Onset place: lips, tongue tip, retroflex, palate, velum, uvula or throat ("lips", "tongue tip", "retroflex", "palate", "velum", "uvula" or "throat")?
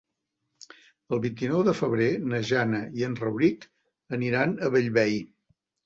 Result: tongue tip